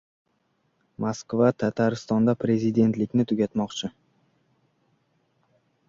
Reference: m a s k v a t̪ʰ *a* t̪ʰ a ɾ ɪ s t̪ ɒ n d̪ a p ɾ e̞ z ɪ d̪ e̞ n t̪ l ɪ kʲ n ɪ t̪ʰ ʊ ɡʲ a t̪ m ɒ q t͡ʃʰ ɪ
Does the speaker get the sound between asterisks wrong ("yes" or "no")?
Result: no